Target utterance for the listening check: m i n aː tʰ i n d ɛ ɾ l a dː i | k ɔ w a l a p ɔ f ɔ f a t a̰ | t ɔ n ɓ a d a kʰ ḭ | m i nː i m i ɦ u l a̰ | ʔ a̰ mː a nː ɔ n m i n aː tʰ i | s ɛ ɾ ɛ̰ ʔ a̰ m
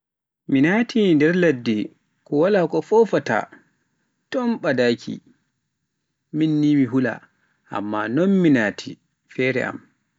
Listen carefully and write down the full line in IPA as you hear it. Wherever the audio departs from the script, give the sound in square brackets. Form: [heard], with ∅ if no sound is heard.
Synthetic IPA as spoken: m i n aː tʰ i n d ɛ ɾ l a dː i | k ɔ w a l a [k] ɔ f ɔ f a t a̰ | t ɔ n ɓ a d a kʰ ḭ | m i nː i m i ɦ u l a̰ | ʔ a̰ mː a [n] ɔ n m i n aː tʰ i | [f] ɛ ɾ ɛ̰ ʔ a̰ m